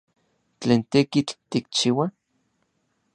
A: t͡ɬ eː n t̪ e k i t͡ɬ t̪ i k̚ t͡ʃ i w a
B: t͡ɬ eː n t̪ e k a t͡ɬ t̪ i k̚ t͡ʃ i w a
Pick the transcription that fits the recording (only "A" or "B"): A